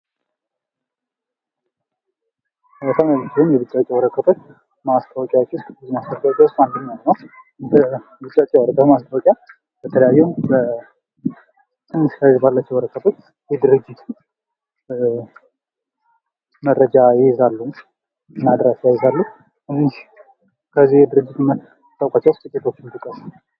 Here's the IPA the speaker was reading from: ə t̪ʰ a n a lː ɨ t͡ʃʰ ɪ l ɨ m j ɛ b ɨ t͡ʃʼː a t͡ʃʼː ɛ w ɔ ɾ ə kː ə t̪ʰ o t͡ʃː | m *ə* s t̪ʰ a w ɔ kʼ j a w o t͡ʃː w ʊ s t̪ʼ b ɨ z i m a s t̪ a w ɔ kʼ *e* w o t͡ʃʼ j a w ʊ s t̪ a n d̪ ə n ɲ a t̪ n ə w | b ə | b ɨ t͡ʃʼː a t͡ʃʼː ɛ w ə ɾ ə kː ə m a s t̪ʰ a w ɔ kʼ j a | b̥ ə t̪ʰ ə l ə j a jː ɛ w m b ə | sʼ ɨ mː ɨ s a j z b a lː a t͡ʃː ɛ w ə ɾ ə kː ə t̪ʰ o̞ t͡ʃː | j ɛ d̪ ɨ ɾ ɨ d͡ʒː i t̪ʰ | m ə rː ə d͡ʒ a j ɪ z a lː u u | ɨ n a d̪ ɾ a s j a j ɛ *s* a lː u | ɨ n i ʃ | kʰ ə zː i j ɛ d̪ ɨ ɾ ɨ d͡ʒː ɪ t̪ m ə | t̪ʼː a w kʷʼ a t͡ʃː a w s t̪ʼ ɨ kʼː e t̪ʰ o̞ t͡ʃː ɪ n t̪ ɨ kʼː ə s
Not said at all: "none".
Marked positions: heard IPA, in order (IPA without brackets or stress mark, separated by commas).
a, a, z